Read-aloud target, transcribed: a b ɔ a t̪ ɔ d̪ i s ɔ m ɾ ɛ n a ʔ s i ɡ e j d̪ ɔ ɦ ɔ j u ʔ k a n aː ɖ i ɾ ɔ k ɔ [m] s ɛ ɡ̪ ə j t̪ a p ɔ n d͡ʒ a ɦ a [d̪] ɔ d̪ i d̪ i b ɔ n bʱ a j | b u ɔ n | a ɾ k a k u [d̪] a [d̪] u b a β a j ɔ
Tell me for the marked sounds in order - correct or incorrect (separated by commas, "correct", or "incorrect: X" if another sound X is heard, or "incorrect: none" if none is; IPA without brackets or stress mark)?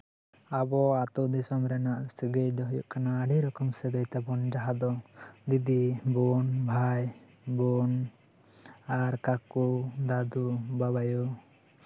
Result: correct, correct, correct, correct